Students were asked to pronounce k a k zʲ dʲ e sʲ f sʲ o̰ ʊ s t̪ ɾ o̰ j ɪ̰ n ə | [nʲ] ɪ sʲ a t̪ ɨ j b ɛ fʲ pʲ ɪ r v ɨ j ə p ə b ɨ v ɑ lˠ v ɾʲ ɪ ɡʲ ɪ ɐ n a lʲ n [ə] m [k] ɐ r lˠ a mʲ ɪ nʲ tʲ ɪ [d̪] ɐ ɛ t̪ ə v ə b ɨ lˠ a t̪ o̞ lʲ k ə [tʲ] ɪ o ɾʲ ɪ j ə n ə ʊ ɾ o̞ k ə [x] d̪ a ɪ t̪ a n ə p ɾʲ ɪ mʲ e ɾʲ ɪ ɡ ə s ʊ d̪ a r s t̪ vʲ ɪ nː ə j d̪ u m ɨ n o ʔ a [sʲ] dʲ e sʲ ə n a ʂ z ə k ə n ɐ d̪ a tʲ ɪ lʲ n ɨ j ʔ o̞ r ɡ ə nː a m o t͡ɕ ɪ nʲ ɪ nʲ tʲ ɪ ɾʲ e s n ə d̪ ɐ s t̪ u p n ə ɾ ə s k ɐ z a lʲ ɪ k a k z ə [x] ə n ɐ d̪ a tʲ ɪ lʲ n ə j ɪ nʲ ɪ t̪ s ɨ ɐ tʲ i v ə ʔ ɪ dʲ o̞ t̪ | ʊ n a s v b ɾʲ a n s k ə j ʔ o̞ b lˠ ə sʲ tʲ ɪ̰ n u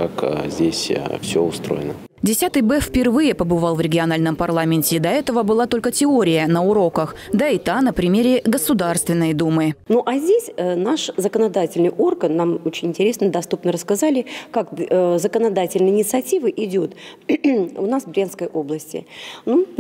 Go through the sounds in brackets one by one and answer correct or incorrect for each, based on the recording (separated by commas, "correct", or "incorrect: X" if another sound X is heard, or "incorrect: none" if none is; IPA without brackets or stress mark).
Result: incorrect: dʲ, correct, incorrect: p, correct, correct, correct, incorrect: zʲ, incorrect: k